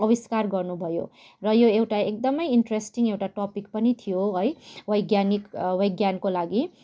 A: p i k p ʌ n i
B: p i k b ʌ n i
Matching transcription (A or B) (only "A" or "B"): A